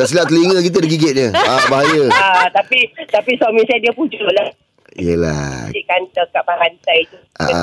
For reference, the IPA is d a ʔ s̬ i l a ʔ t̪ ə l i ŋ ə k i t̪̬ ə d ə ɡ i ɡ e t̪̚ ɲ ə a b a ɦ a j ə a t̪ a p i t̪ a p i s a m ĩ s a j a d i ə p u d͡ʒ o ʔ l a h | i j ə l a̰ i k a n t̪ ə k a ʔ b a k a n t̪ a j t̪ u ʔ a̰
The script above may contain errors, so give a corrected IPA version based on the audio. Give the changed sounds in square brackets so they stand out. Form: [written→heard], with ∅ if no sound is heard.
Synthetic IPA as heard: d a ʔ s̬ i l a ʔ t̪ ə l i ŋ ə k i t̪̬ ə d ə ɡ i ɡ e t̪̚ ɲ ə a b a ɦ a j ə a t̪ a p i t̪ a p i s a m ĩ s a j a d i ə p u d͡ʒ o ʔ l a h | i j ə l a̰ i k a n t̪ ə k a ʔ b a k a n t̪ a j t̪ u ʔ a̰